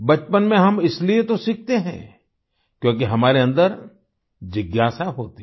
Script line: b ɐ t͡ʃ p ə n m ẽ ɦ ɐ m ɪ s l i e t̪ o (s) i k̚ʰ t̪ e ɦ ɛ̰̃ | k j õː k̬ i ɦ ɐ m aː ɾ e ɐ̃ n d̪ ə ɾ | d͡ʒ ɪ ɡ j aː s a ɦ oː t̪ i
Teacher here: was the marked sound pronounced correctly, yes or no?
yes